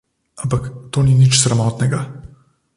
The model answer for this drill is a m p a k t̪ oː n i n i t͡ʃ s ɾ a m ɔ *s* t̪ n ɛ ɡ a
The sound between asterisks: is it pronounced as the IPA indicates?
no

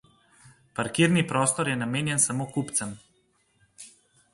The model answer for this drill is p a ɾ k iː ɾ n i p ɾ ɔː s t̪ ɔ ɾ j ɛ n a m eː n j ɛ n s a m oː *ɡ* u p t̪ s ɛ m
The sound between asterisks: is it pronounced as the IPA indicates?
no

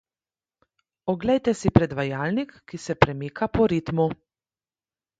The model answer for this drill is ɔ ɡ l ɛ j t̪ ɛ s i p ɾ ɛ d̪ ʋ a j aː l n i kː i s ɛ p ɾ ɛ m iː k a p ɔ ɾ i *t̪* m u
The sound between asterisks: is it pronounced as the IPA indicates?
yes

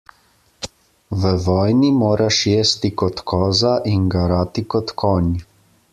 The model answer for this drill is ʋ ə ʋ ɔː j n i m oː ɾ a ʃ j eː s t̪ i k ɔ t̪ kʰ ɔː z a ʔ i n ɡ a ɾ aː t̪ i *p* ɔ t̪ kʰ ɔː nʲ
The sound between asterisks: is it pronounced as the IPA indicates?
no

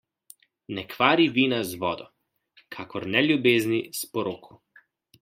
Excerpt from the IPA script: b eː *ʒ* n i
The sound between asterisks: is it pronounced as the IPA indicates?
no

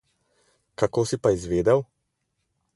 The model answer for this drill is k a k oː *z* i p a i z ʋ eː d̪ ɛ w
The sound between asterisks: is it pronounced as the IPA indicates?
no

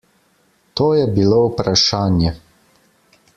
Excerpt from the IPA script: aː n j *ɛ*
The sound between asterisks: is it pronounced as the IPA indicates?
yes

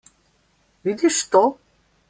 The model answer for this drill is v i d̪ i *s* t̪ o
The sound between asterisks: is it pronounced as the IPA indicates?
no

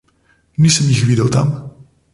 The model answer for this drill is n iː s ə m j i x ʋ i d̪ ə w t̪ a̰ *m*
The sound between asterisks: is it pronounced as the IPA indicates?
yes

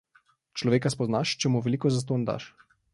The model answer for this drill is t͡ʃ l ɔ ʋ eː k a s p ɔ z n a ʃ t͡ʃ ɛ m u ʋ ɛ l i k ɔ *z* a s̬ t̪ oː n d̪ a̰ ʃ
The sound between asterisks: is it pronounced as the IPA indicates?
yes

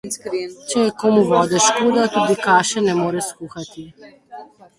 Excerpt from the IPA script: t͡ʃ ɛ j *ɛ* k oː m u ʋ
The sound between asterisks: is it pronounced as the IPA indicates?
yes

